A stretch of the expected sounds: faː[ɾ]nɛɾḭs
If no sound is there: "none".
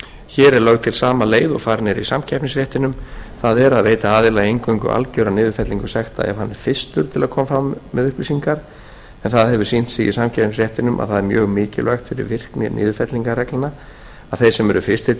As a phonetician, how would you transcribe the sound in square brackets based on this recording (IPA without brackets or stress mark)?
ɾ